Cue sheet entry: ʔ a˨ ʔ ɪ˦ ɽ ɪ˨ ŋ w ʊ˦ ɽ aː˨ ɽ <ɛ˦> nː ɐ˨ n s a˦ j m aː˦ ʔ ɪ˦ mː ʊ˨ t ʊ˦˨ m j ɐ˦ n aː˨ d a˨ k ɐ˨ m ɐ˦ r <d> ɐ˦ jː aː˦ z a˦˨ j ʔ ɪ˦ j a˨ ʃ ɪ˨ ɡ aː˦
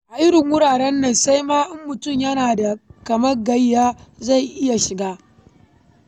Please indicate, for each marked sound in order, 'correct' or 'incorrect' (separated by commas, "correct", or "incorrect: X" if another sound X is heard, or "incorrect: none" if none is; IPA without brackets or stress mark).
correct, incorrect: ɡ